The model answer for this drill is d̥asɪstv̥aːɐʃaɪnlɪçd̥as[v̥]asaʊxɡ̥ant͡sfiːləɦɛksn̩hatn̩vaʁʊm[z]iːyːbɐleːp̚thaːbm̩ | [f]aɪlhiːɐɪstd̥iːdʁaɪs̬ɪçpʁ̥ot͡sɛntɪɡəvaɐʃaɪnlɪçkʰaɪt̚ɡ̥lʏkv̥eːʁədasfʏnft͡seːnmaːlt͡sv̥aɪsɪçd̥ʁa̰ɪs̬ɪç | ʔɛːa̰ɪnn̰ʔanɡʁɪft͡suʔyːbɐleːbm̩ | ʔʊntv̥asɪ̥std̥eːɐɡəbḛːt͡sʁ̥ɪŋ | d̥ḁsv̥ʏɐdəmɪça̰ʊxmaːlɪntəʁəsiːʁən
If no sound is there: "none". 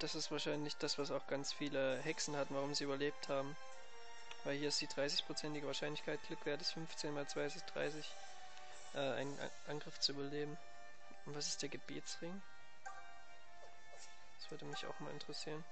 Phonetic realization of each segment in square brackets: v̥, z, v

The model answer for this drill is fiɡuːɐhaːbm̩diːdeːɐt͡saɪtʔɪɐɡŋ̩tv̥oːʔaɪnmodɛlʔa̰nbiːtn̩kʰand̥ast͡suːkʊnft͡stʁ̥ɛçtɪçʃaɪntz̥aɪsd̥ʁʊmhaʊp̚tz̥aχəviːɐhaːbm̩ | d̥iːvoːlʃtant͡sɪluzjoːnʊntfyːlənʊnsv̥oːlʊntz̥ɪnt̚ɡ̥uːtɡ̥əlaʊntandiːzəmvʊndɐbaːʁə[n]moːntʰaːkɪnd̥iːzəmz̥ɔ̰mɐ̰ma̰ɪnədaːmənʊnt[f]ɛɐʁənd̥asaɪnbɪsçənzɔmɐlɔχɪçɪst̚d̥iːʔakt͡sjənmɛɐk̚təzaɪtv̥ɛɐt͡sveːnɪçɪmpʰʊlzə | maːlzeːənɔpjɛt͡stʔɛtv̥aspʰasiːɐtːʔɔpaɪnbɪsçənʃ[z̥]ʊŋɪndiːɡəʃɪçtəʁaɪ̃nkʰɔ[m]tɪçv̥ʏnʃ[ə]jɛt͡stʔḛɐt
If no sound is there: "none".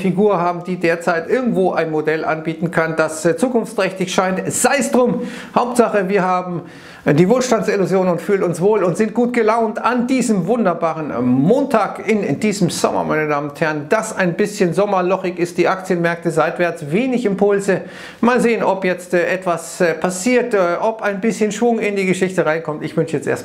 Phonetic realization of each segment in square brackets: n, h, v̥, m, ə

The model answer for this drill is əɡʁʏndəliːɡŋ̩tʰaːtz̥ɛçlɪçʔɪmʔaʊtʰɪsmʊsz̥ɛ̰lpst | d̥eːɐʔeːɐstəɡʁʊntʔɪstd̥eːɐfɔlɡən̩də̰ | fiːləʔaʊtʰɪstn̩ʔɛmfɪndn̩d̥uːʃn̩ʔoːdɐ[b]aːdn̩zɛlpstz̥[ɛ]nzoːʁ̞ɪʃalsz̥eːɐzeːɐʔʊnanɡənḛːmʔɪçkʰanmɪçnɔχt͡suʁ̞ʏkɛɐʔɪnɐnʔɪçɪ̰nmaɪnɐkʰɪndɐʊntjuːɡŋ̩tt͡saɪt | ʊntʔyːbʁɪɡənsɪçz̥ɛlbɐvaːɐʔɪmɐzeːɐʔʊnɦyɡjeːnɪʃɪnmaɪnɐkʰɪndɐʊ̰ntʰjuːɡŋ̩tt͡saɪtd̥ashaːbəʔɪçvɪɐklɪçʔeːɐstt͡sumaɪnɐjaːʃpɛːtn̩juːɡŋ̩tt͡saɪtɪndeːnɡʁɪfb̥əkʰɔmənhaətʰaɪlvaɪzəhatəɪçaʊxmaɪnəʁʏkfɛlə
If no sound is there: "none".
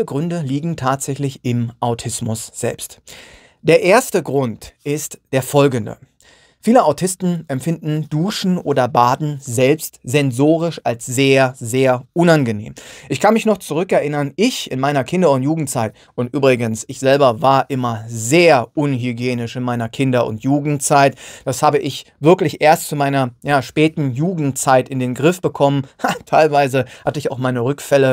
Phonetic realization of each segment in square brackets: b, ɛ

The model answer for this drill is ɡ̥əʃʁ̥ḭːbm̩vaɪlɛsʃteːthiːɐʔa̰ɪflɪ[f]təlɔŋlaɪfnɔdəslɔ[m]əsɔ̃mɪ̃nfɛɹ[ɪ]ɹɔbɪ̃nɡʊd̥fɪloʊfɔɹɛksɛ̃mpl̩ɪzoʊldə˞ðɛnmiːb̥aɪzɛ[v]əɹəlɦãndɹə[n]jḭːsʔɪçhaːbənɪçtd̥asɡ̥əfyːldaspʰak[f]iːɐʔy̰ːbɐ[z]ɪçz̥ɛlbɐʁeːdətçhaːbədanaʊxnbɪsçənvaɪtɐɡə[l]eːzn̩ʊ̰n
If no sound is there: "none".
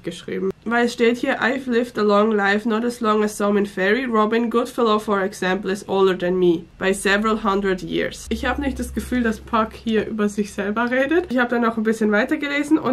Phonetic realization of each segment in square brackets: f, ŋ, i, v, d, h, z, l

